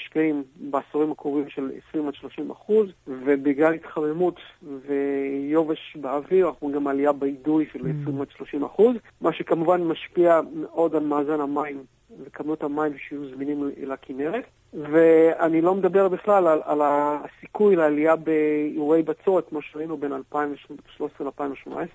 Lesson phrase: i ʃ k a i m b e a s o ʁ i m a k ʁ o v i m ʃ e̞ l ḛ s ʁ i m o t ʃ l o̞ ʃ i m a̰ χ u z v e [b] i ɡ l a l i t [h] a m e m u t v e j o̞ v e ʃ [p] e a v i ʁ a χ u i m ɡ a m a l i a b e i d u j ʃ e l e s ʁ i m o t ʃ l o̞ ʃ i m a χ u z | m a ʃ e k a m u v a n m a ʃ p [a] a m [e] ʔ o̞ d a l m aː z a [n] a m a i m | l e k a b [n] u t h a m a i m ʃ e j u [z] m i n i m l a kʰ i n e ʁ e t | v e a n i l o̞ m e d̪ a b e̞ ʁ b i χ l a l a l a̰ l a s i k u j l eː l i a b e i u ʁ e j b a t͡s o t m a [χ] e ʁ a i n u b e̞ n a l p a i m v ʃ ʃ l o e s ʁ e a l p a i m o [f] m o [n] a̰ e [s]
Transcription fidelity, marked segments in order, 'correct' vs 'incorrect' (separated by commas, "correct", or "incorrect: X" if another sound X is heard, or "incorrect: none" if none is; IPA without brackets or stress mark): correct, incorrect: χ, incorrect: b, incorrect: i, correct, correct, correct, correct, incorrect: ʃ, incorrect: ʃ, correct, correct